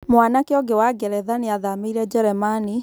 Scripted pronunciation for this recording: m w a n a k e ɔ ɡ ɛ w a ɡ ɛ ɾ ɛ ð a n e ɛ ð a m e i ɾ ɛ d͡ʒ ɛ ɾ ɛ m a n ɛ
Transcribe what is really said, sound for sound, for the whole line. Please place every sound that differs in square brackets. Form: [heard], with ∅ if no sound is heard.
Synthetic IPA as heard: m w a n a k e ɔ ɡ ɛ w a ɡ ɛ ɾ ɛ ð a n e [a] ð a m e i ɾ ɛ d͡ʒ ɛ ɾ ɛ m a n [i]